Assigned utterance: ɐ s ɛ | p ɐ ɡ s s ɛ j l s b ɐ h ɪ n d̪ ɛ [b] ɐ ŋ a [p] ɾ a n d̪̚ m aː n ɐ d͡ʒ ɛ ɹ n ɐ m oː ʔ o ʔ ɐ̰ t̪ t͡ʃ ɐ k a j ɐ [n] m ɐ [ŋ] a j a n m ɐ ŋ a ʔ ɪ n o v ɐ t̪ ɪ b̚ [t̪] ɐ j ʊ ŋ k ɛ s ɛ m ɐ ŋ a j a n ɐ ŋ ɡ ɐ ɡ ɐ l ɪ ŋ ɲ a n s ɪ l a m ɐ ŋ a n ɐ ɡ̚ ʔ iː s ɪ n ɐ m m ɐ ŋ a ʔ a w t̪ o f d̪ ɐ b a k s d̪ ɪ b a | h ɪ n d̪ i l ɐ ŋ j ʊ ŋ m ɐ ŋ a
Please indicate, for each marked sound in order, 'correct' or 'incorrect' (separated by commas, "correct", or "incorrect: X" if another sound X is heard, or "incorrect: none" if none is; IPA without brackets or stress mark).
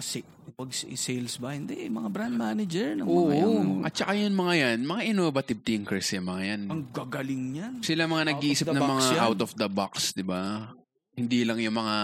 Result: incorrect: m, incorrect: b, correct, correct, correct